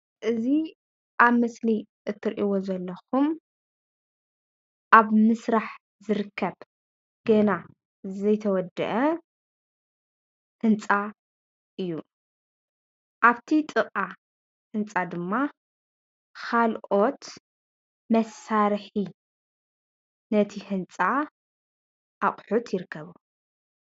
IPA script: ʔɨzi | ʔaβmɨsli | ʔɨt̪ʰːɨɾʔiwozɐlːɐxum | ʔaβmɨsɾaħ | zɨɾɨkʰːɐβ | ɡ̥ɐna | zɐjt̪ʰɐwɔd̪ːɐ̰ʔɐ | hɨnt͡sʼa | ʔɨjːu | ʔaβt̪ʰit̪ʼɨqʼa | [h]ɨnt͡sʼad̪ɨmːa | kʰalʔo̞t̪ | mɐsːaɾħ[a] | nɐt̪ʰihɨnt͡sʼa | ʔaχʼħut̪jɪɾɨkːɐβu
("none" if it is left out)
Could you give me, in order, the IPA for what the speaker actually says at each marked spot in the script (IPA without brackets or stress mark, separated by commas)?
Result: h, i